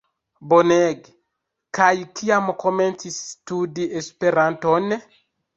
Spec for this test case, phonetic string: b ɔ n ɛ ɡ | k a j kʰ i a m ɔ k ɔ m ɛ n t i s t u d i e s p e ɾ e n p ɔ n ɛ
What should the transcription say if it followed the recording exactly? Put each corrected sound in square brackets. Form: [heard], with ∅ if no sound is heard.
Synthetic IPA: b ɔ n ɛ ɡ | k a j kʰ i a m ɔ k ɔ m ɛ n t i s t u d i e s p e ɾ [a] n [t] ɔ n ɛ